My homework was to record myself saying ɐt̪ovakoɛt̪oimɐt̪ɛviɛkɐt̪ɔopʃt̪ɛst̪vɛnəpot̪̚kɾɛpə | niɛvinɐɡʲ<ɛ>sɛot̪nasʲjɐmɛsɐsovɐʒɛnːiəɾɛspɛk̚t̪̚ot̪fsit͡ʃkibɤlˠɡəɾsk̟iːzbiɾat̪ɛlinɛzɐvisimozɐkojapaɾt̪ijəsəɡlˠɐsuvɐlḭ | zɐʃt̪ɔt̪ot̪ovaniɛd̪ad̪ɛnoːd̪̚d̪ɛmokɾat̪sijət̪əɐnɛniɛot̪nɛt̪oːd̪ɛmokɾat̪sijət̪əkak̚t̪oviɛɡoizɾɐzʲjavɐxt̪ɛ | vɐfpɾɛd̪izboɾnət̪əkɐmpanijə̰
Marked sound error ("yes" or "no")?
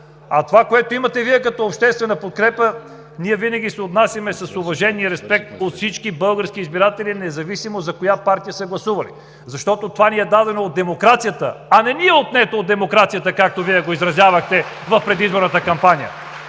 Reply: yes